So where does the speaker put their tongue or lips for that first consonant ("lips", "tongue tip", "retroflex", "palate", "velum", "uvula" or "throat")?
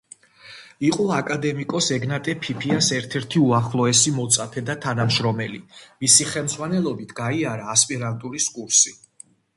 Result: uvula